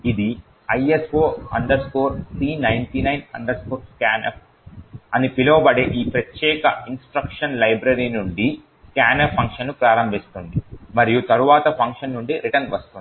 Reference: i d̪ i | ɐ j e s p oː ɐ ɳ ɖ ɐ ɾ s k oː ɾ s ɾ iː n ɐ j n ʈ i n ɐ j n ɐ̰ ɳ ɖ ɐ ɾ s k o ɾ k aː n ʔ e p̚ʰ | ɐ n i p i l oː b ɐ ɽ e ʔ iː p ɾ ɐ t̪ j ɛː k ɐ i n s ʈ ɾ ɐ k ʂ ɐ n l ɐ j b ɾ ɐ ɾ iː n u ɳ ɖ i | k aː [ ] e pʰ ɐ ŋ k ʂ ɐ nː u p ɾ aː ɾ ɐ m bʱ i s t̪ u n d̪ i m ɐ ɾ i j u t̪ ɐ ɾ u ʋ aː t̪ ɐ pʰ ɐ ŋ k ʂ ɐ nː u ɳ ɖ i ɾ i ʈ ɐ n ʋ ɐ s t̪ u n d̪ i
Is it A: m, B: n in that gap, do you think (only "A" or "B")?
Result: B